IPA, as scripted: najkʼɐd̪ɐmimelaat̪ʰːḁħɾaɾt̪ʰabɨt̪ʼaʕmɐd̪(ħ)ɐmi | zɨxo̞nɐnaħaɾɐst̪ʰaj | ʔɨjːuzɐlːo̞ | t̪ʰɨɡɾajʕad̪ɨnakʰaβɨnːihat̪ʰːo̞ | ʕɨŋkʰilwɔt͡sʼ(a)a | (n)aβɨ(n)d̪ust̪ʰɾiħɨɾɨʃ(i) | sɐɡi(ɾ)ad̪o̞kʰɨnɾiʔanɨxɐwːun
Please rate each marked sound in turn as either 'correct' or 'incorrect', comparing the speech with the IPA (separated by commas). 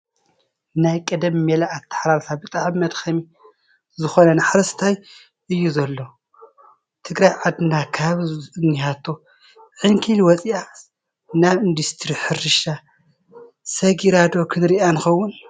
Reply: incorrect, incorrect, correct, correct, incorrect, correct